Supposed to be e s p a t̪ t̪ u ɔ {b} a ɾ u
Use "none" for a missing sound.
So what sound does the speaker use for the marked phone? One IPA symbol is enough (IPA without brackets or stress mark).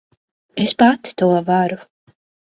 v